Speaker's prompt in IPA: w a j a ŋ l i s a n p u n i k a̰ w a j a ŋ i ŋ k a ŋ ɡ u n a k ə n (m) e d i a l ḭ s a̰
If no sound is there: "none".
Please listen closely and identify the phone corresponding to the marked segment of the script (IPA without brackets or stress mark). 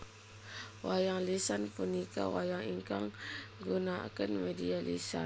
m